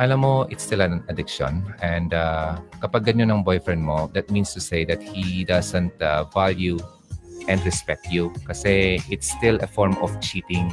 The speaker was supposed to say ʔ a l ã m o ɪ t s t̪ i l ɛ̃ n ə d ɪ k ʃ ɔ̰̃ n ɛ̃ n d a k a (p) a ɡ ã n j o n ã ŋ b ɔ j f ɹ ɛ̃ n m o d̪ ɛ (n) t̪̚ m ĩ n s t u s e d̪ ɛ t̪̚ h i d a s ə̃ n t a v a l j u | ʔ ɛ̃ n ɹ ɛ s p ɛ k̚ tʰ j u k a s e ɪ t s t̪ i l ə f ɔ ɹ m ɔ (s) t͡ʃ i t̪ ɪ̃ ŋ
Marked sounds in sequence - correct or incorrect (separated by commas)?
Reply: correct, incorrect, incorrect